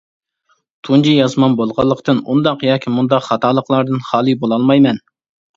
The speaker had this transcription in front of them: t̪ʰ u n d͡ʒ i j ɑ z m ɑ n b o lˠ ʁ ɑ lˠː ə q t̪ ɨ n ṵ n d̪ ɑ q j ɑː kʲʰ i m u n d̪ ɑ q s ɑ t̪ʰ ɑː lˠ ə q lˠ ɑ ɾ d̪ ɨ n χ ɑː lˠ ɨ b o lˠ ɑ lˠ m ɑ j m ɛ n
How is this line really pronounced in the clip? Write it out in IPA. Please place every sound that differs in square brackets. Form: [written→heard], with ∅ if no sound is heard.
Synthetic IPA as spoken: t̪ʰ u n d͡ʒ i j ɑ z m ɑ n b o lˠ ʁ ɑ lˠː ə q t̪ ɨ n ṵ n d̪ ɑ q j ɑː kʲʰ i m u n d̪ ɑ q [s→χ] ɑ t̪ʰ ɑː lˠ ə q lˠ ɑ ɾ d̪ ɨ n χ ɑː lˠ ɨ b o lˠ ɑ lˠ m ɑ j m ɛ n